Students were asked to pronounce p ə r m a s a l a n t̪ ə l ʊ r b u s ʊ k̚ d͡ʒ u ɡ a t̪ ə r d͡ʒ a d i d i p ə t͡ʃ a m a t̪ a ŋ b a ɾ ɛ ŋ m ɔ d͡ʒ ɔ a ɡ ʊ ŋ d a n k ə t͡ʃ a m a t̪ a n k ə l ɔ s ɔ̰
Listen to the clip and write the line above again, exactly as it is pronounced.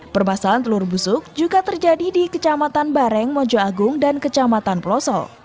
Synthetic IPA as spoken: p ə r m a s a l a n t̪ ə l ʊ r b u s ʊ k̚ d͡ʒ u ɡ a t̪ ə r d͡ʒ a d i d i k ə t͡ʃ a m a t̪ a n b a ɾ ɛ ŋ m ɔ d͡ʒ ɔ a ɡ ʊ ŋ d a n k ə t͡ʃ a m a t̪ a n p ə l ɔ s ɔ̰